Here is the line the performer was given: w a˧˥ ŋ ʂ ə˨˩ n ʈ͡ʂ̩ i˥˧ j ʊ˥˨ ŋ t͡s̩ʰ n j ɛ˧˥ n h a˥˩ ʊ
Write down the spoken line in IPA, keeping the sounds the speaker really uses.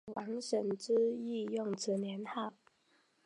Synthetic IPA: w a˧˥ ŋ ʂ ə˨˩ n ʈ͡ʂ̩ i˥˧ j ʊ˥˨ ŋ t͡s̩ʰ n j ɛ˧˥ n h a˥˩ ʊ